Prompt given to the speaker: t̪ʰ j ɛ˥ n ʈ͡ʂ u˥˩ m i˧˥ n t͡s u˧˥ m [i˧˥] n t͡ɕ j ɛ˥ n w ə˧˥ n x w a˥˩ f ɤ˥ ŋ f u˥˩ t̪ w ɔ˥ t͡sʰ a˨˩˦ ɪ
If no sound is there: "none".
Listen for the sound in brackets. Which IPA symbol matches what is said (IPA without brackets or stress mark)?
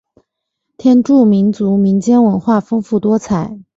i˧˥